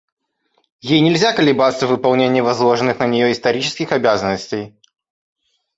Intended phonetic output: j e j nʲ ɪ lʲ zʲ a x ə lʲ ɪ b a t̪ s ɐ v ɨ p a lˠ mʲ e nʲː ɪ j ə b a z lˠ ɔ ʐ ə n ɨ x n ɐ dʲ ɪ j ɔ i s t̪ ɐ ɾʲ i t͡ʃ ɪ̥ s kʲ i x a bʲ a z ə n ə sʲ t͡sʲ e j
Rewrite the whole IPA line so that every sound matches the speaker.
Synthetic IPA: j e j nʲ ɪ lʲ zʲ a k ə lʲ ɪ b a t̪ s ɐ v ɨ p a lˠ nʲ e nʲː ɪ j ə v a z lˠ ɔ ʐ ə n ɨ x n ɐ nʲ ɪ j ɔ i s t̪ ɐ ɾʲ i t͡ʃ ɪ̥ s kʲ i x a bʲ a z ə n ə sʲ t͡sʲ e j

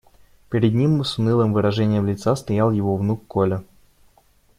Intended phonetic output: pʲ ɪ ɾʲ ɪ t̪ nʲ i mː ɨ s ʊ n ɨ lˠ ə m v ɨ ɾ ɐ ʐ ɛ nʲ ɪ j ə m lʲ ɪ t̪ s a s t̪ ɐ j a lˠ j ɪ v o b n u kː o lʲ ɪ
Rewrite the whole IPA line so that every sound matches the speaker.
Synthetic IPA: pʲ ɪ ɾʲ ɪ d̪ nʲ i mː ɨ s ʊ n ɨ lˠ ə m v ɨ ɾ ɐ ʐ ɛ nʲ ɪ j ə m lʲ ɪ t̪ s a s t̪ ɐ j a lˠ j ɪ v o v n u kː o lʲ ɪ

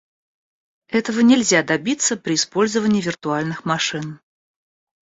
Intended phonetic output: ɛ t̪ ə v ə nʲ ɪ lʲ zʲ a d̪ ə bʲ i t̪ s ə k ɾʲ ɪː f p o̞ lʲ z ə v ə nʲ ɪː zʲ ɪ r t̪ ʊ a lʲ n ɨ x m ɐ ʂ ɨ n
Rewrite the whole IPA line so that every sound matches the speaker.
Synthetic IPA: ɛ t̪ ə v ə nʲ ɪ lʲ zʲ a d̪ ɐ bʲ i t̪ s ə p ɾʲ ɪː s p o̞ lʲ z ə v ə nʲ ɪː vʲ ɪ r t̪ ʊ a lʲ n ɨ x m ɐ ʂ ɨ n

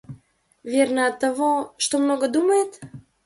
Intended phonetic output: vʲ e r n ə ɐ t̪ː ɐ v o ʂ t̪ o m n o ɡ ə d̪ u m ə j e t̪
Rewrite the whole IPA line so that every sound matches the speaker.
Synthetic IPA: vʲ e r n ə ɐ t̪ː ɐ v o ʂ t̪ o m n o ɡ ə d̪ u m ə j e t̪

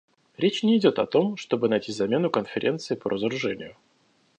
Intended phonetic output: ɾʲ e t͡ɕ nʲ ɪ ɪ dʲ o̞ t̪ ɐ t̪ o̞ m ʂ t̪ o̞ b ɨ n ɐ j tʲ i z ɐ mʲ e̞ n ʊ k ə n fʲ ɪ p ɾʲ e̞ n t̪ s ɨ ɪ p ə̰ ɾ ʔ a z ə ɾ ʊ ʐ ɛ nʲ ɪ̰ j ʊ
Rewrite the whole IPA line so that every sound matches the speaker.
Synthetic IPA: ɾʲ e t͡ɕ nʲ ɪ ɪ dʲ o̞ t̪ ɐ t̪ o̞ m ʂ t̪ o̞ b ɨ n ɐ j tʲ i z ɐ mʲ e̞ n ʊ k ə n fʲ ɪ ɾʲ e̞ n t̪ s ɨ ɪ p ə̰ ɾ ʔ ə z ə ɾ ʊ ʐ ɛ nʲ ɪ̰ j ʊ

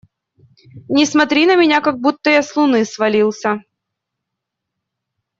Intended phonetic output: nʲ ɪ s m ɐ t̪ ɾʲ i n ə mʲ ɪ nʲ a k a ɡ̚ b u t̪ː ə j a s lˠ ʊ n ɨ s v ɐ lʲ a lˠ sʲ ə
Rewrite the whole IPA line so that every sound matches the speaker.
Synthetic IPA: nʲ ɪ s m ɐ t̪ ɾʲ i n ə mʲ ɪ nʲ a k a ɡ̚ b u t̪ː ə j a s lˠ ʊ n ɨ s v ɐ lʲ i lˠ sʲ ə

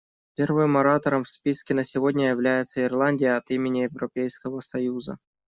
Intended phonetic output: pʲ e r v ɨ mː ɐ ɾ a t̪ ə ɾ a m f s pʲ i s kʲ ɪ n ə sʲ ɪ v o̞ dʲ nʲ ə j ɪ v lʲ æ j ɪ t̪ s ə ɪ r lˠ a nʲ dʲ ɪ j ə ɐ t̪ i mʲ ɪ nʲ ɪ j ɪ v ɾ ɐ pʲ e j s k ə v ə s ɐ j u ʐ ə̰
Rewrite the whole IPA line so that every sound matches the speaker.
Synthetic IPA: pʲ e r v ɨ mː ɐ ɾ a t̪ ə ɾ ə m f s pʲ i s kʲ ɪ n ə sʲ ɪ v o̞ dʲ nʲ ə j ɪ v lʲ æ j ɪ t̪ s ə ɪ r lˠ a nʲ dʲ ɪ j ə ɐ t̪ i mʲ ɪ nʲ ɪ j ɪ v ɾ ɐ pʲ e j s k ə v ə s ɐ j u z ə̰

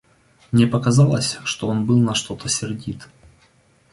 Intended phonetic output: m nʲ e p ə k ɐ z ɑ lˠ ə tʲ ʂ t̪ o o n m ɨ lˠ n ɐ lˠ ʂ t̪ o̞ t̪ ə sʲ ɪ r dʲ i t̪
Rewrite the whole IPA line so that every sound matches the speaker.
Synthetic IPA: m nʲ e p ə k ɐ z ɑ lˠ ə sʲ ʂ t̪ o o n b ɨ lˠ n ɐ ʂ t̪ o̞ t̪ ə sʲ ɪ r dʲ i t̪

